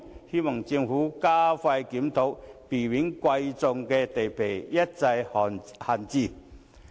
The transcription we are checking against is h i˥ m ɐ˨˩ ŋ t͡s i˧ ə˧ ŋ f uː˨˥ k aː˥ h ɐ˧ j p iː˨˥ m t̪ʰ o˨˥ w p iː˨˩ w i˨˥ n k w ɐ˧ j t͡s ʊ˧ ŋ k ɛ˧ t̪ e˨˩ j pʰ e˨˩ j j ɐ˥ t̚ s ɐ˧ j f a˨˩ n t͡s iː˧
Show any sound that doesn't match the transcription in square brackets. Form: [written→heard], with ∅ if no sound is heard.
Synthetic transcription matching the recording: h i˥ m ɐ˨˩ ŋ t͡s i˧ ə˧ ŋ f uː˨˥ k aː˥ [h→f] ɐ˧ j [p→k] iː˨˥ m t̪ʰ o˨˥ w p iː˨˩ w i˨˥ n k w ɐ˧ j t͡s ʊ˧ ŋ k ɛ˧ t̪ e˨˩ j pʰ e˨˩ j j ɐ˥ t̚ [s→t͡s] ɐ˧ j [f→h] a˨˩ n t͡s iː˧